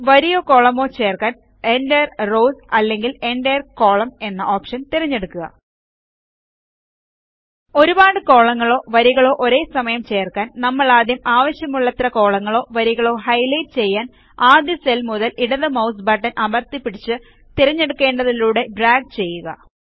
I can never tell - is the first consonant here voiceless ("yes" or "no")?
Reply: no